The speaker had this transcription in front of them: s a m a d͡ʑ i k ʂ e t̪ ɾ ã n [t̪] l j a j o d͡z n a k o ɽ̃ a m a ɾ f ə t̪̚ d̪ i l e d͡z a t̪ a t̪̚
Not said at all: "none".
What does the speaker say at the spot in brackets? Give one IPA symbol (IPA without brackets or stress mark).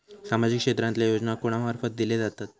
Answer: t̪